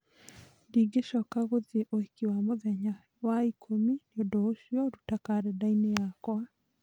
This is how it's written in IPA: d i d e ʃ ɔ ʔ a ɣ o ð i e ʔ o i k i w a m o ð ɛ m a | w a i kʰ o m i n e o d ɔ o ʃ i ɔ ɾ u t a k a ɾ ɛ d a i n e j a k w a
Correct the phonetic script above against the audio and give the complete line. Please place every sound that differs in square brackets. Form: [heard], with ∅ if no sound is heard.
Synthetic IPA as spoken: d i [ɡ] e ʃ ɔ [k] a ɣ o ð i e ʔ o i k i w a m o ð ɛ [ɲ] a | w a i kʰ o m i n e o d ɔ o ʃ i ɔ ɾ u t a k a ɾ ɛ d a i n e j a k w a